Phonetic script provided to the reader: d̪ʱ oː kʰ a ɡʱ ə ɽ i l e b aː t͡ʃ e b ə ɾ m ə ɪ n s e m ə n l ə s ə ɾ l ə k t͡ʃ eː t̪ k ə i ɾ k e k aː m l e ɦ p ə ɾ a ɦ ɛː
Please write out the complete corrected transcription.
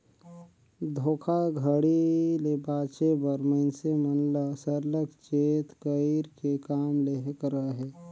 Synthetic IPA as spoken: d̪ʱ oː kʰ a ɡʱ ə ɽ i l e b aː t͡ʃ e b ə ɾ m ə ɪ n s e m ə n l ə s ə ɾ l ə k t͡ʃ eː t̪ k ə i ɾ k e k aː m l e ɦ k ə ɾ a ɦ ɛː

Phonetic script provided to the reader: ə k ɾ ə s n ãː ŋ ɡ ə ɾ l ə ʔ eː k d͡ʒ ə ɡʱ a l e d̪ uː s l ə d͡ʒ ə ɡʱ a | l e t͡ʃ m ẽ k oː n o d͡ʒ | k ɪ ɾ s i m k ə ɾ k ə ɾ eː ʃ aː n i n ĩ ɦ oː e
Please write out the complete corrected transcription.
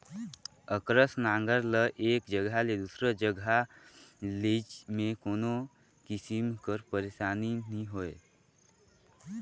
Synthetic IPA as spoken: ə k ɾ ə s n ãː ŋ ɡ ə ɾ l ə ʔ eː k d͡ʒ ə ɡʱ a l e d̪ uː s ɾ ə d͡ʒ ə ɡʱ a | l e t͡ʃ m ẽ k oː n o | k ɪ s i m k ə ɾ p ə ɾ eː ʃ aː n i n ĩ ɦ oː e

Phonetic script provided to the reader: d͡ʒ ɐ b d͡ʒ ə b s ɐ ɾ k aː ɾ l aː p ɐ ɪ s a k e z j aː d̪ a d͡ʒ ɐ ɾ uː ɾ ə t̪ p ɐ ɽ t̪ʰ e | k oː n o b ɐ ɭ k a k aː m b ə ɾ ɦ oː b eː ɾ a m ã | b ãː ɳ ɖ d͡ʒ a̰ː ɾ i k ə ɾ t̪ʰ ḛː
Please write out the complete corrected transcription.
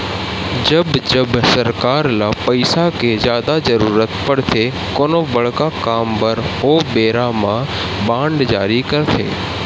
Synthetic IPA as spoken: d͡ʒ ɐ b d͡ʒ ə b s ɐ ɾ k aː ɾ l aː p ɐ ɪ s a k e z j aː d̪ a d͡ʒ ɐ ɾ uː ɾ ə t̪ p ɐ ɽ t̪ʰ e | k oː n o b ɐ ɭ k a k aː m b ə ɾ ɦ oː b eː ɾ a m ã | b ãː ɳ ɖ d͡ʒ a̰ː ɾ i k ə ɾ t̪ʰ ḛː

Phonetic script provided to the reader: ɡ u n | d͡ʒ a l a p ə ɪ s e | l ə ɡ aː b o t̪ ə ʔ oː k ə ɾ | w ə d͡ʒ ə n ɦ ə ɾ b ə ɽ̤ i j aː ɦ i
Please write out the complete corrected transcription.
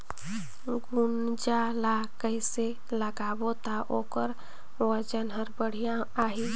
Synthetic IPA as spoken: ɡ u n | d͡ʒ a l a k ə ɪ s e | l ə ɡ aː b o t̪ a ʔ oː k ə ɾ | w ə d͡ʒ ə n ɦ ə ɾ b ə ɽ̤ i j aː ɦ i

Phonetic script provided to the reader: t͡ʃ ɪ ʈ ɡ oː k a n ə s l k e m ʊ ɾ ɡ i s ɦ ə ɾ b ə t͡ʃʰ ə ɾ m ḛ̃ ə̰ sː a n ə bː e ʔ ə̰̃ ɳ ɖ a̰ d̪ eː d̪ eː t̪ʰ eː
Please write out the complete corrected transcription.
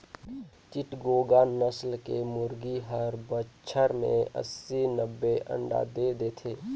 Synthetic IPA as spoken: t͡ʃ ɪ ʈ ɡ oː ɡ a n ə s l k e m ʊ ɾ ɡ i ɦ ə ɾ b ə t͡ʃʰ ə ɾ m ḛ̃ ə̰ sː i n ə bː e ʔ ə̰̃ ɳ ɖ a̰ d̪ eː d̪ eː t̪ʰ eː

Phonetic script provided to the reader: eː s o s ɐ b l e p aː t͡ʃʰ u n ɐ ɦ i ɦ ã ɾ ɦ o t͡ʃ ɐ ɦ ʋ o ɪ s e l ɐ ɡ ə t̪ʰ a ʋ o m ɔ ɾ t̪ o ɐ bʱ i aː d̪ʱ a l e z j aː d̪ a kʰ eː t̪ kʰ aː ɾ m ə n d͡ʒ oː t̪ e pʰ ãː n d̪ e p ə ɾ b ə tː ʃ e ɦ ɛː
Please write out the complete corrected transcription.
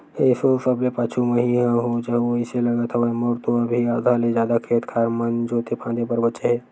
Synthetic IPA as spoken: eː s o s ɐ b l e p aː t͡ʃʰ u m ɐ ɦ i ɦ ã ɦ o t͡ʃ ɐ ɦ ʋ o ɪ s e l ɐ ɡ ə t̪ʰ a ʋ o m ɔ ɾ t̪ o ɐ bʱ i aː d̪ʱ a l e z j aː d̪ a kʰ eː t̪ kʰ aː ɾ m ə n d͡ʒ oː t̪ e pʰ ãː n d̪ e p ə ɾ b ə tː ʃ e ɦ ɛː

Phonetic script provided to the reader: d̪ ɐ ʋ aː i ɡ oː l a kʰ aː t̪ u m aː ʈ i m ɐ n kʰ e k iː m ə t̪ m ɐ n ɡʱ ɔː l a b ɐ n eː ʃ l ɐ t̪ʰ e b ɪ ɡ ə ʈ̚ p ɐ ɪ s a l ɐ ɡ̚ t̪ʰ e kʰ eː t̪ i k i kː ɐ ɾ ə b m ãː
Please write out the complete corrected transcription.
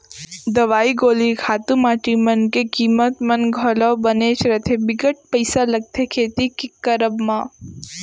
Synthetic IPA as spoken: d̪ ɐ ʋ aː i ɡ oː l i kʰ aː t̪ u m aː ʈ i m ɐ n k e k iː m ə t̪ m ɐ n ɡʱ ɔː l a b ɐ n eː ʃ ɾ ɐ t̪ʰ e b ɪ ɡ ə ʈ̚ p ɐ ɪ s a l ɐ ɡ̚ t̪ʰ e kʰ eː t̪ i k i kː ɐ ɾ ə b m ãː

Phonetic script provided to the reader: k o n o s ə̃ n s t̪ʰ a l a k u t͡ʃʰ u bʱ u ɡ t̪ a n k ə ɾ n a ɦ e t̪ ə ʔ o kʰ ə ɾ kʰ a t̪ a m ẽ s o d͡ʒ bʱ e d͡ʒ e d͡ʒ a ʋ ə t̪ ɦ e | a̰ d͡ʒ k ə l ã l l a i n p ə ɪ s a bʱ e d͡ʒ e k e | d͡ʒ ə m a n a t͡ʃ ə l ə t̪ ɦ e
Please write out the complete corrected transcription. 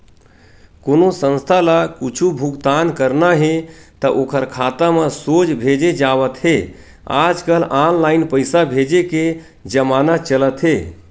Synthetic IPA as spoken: k o n o s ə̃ n s t̪ʰ a l a k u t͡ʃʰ u bʱ u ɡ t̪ a n k ə ɾ n a ɦ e t̪ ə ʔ o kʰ ə ɾ kʰ a t̪ a m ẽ s o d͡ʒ bʱ e d͡ʒ e d͡ʒ a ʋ ə t̪ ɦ e | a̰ d͡ʒ k ə l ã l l a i n p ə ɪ s a bʱ e d͡ʒ e k e | d͡ʒ ə m a n a t͡ʃ ə l ə t̪ ɦ e

